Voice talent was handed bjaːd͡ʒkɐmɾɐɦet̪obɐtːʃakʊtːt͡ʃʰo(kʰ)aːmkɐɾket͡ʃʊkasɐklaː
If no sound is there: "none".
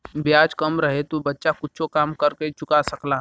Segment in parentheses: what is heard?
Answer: k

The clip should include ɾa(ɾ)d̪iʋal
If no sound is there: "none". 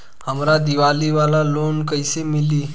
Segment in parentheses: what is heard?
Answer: none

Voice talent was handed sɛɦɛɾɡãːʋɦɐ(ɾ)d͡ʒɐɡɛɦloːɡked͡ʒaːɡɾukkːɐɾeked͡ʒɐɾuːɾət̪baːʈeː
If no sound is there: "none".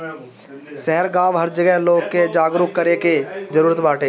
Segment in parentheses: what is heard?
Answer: ɾ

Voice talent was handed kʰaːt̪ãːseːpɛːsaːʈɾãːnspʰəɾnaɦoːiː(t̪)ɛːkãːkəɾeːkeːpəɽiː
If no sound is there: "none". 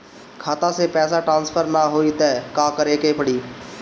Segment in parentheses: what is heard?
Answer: t̪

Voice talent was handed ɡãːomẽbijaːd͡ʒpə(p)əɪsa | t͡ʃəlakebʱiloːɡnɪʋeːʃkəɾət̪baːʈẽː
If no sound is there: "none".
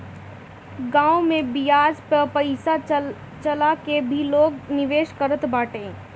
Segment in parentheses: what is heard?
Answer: p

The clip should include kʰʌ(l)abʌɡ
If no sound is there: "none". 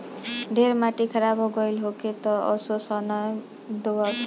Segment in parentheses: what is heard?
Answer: ɾ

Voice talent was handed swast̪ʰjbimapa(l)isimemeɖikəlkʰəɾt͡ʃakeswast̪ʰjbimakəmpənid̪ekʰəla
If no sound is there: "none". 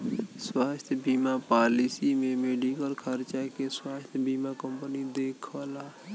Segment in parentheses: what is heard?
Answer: l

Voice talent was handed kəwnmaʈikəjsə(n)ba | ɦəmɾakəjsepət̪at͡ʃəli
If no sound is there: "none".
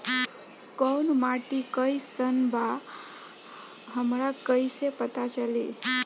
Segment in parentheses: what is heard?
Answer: n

